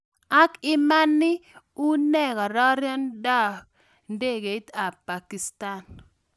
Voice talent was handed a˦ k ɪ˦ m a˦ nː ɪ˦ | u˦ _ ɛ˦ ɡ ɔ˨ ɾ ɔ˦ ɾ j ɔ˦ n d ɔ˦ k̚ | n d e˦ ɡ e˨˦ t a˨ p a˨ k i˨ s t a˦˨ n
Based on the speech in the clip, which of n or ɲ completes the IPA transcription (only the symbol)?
n